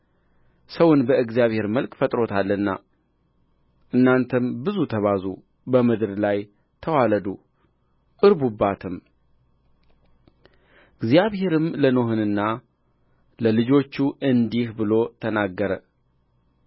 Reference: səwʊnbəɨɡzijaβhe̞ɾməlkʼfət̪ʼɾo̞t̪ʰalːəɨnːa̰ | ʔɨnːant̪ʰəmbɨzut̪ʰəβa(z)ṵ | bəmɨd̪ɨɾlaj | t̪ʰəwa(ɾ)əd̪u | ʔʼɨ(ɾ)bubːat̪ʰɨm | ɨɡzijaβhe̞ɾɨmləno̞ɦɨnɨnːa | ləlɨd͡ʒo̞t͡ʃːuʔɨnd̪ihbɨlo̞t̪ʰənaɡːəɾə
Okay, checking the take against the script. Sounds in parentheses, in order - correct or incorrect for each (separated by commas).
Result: correct, incorrect, correct